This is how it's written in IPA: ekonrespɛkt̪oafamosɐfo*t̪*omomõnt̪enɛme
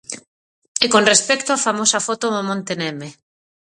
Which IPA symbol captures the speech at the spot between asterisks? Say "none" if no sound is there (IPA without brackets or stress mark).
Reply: t̪